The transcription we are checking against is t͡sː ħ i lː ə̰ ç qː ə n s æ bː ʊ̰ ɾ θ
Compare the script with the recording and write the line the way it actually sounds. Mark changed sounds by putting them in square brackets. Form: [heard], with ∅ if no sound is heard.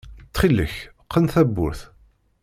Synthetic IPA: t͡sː [χ] i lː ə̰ ç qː ə n [θ] æ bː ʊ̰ ɾ θ